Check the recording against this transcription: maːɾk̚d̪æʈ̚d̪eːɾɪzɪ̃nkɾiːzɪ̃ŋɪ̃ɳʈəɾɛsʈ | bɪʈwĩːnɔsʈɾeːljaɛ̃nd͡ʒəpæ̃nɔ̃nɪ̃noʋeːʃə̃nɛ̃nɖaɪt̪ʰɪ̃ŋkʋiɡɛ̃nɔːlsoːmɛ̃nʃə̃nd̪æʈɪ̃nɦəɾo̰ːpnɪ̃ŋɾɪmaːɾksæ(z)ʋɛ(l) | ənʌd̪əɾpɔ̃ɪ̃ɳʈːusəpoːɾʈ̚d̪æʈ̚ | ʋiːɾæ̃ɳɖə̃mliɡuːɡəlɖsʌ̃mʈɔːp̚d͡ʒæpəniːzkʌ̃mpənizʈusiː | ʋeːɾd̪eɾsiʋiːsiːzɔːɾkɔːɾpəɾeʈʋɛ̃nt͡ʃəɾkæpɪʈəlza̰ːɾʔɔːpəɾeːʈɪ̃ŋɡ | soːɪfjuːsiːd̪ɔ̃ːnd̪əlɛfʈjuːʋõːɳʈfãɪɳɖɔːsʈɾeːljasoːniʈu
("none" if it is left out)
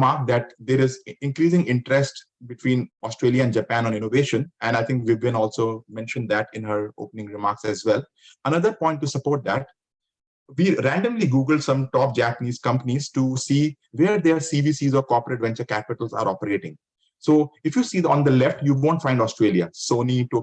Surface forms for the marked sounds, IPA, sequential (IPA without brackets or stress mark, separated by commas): z, l